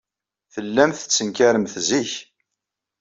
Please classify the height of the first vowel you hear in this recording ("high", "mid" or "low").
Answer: mid